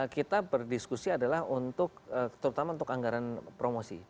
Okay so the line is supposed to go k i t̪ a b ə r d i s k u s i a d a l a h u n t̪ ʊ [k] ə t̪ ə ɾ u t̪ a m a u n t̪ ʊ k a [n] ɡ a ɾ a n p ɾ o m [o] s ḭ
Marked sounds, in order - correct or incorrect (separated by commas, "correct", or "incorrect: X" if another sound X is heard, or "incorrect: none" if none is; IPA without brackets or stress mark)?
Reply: correct, incorrect: ŋ, correct